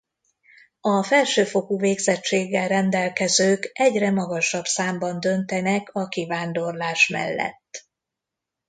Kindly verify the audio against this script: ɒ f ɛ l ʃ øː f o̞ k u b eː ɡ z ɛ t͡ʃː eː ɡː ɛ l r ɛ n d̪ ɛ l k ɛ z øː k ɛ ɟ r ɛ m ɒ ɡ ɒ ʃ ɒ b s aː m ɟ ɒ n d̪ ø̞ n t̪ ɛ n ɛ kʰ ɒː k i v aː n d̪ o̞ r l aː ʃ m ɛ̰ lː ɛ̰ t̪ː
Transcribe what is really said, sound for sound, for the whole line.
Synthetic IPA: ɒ f ɛ l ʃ øː f o̞ k u v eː ɡ z ɛ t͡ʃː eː ɡː ɛ l r ɛ n d̪ ɛ l k ɛ z øː k ɛ ɟ r ɛ m ɒ ɡ ɒ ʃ ɒ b s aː m b ɒ n d̪ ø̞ n t̪ ɛ n ɛ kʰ ɒ k i v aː n d̪ o̞ r l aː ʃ m ɛ̰ lː ɛ̰ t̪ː